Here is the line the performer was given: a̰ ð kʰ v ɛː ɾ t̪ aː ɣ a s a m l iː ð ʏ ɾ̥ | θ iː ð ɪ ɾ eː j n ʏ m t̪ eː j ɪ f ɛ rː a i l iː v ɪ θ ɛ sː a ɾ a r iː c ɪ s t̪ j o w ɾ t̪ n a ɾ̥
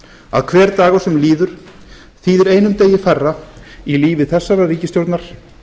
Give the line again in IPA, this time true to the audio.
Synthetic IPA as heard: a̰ ð kʰ v ɛː ɾ t̪ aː ɣ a s ɛ m l iː ð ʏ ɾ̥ | θ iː ð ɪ ɾ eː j n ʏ m t̪ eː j ɪ f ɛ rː a i l iː v ɪ θ ɛ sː a ɾ a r iː c ɪ s t̪ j o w ɾ t̪ n a ɾ̥